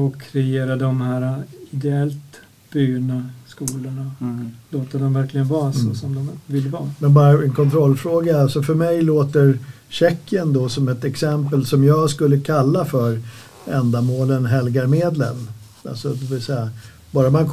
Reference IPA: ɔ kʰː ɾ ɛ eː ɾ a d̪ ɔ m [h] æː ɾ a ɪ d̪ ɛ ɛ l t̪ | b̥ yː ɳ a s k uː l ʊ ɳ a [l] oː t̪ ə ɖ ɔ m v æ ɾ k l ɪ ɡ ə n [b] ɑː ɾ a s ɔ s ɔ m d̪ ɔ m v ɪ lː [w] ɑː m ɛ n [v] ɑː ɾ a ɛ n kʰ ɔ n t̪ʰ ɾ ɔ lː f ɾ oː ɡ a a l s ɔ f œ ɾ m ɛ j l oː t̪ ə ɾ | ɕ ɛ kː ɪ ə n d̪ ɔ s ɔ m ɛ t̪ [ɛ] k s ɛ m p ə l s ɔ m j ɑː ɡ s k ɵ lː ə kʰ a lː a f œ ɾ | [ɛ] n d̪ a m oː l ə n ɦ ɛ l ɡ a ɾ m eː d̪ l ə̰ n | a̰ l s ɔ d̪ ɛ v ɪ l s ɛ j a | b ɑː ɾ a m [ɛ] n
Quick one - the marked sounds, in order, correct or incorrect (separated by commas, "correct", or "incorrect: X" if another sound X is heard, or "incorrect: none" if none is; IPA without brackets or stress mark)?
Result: correct, correct, incorrect: v, incorrect: v, incorrect: b, correct, correct, incorrect: a